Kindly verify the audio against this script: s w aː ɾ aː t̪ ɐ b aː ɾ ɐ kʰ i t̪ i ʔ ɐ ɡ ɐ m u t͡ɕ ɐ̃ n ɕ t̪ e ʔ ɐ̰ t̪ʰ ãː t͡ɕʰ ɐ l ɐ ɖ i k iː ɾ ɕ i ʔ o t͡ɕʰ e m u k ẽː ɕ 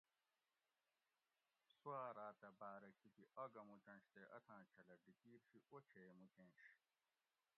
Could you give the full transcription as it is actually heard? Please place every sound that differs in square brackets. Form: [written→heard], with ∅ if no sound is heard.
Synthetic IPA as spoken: s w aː ɾ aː t̪ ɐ b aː ɾ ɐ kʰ i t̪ i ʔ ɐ ɡ ɐ m u t͡ɕ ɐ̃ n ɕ t̪ e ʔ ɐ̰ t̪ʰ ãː t͡ɕʰ ɐ l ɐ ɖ i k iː ɾ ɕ i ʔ o t͡ɕʰ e m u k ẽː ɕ